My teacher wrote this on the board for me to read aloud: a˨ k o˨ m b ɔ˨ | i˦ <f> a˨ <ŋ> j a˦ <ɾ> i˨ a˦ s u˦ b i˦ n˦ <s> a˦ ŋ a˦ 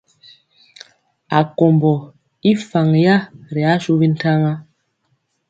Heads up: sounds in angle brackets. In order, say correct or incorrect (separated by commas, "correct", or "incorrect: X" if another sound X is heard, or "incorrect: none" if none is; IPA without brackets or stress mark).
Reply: correct, correct, correct, incorrect: t